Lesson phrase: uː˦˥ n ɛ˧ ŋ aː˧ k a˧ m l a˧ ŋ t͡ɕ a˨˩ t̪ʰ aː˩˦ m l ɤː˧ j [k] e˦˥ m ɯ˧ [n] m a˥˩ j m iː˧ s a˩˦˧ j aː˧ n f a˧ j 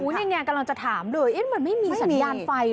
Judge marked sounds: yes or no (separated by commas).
no, yes